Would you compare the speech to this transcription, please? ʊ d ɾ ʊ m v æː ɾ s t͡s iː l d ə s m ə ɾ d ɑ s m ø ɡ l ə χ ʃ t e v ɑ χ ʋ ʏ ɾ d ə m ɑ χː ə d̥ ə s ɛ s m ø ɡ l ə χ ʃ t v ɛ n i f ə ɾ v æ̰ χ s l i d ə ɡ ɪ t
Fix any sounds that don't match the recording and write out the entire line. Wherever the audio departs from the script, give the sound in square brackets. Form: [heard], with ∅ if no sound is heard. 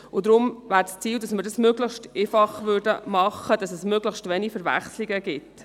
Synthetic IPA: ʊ d ɾ ʊ m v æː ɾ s t͡s iː l d [ɑ] s m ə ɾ d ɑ s m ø ɡ l ə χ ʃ t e [f] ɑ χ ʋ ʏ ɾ d ə m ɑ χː ə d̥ [ɑ] s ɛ s m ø ɡ l ə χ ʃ t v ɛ n i f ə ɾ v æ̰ χ s l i [ɡ] ə ɡ ɪ t